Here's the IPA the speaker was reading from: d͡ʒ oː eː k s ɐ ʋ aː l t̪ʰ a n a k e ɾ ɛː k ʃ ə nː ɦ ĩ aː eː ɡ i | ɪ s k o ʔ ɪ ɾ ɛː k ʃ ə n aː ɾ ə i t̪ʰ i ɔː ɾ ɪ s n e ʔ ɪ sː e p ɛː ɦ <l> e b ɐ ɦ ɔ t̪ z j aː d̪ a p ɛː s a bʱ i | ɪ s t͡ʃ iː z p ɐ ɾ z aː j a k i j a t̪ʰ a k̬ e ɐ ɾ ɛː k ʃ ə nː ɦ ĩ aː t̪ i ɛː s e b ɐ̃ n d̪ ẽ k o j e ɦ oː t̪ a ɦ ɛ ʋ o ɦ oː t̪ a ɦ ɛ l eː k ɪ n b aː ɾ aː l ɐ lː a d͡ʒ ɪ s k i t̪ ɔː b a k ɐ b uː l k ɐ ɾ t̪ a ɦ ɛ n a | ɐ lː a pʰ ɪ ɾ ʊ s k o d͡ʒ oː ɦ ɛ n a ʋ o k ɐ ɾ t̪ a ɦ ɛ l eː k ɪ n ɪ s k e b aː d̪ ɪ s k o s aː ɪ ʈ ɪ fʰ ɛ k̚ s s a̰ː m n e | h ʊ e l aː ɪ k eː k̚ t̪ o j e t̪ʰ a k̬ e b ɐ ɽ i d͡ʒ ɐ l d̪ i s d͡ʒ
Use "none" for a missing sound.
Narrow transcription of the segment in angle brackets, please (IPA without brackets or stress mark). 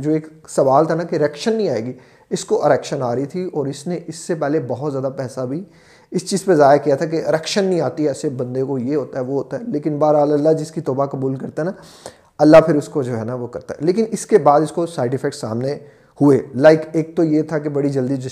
l